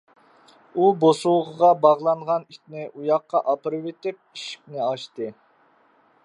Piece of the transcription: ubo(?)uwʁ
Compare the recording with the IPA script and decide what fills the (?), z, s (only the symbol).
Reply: s